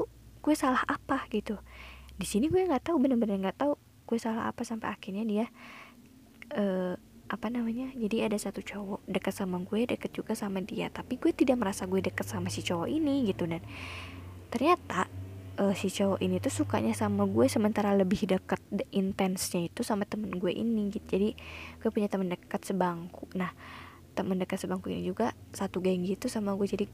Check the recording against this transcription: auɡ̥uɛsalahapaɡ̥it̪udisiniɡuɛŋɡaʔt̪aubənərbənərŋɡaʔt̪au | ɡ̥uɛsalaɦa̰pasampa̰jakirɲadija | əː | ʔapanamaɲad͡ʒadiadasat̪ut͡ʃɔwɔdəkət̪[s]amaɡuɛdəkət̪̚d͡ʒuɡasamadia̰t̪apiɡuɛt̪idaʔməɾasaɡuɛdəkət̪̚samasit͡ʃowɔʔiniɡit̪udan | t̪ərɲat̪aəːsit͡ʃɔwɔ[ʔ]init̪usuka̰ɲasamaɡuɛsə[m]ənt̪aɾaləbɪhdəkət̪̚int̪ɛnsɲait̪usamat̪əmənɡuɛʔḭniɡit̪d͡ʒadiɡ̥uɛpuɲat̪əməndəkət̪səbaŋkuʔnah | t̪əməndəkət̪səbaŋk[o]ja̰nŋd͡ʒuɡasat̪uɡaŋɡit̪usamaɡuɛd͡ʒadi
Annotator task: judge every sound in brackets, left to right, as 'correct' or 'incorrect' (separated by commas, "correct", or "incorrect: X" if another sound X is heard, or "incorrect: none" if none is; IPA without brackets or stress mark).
correct, correct, correct, incorrect: u